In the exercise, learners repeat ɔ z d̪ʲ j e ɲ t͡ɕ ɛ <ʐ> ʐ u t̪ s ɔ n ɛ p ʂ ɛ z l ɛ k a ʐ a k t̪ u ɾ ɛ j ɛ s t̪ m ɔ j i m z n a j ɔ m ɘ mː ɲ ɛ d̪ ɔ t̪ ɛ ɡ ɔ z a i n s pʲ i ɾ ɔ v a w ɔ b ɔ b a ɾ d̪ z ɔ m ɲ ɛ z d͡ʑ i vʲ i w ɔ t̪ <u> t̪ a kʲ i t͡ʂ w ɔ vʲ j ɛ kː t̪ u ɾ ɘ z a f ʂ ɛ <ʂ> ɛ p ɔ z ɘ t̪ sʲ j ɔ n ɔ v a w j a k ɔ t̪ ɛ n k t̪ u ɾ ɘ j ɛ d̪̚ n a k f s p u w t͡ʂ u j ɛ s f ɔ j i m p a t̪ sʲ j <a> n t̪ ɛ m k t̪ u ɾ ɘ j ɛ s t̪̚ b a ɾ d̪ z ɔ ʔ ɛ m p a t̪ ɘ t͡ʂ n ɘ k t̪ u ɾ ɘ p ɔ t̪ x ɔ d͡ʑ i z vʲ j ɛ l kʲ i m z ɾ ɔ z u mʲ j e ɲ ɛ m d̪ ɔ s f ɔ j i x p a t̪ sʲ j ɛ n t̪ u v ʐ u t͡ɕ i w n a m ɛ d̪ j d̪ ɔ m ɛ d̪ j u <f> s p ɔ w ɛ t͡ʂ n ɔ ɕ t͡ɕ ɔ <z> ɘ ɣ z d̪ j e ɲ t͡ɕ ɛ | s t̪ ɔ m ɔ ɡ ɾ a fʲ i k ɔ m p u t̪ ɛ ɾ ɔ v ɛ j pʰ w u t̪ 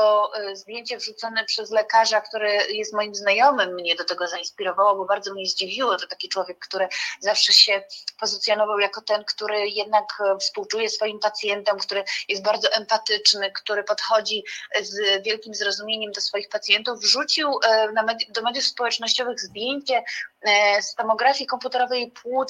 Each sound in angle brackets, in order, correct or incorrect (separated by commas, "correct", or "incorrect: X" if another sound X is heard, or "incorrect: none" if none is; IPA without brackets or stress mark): incorrect: v, incorrect: ɔ, incorrect: ɕ, incorrect: ɛ, correct, incorrect: v